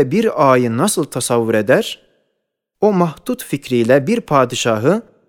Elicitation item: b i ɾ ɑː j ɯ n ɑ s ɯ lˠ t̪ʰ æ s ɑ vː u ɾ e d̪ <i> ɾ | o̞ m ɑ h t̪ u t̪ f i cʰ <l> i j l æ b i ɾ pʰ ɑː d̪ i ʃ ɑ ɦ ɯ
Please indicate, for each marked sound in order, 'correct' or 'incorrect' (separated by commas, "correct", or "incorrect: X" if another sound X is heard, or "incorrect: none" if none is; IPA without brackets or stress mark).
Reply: incorrect: æ, incorrect: ɾ